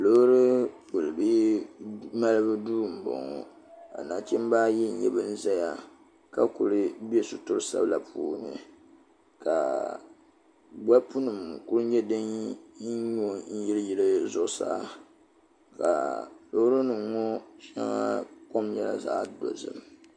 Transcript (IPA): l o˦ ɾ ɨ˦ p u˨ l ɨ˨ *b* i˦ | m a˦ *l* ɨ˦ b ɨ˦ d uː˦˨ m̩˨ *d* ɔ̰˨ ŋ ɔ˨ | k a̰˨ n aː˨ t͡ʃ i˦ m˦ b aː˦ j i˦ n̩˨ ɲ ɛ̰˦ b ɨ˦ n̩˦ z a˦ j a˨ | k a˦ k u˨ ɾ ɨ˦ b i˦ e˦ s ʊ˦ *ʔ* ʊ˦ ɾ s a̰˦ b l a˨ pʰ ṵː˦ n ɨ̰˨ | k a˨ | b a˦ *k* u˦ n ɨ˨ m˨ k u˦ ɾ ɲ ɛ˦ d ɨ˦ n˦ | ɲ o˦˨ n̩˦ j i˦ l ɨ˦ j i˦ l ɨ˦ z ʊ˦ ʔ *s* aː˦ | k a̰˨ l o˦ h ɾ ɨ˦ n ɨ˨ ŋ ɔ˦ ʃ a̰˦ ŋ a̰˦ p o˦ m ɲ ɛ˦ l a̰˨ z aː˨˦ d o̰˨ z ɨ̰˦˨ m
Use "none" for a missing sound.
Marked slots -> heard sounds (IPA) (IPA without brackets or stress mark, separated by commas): b, l, b, t, p, s